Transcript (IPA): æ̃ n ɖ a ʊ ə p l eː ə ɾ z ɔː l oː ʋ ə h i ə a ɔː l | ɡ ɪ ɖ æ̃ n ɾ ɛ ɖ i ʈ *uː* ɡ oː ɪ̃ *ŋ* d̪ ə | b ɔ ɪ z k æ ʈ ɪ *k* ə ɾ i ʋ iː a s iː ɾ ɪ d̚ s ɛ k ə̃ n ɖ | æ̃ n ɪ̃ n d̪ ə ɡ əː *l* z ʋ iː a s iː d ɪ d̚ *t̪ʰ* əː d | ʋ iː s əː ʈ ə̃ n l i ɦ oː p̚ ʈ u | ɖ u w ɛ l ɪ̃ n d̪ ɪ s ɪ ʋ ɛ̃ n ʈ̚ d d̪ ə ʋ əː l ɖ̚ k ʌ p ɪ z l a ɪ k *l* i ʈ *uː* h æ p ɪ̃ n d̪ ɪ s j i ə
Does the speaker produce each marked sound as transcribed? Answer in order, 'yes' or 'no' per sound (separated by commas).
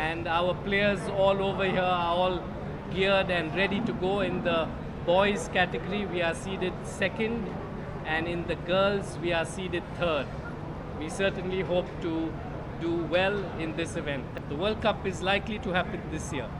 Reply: no, no, no, yes, yes, yes, no